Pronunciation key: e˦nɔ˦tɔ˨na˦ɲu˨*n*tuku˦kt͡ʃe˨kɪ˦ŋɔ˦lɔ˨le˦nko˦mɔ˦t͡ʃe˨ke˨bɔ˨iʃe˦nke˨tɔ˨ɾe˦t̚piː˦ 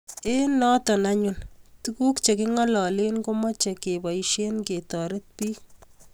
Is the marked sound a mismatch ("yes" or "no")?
no